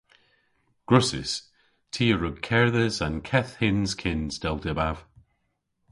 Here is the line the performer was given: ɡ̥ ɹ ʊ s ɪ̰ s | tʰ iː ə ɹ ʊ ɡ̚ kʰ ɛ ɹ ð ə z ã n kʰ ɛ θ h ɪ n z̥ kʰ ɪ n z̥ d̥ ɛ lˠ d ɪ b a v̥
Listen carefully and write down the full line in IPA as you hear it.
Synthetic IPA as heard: ɡ̥ ɹ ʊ s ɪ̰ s | tʰ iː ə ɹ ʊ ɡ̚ kʰ ɛ ɹ ð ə z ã n kʰ ɛ θ h ɪ n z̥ kʰ ɪ n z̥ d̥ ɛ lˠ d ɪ b a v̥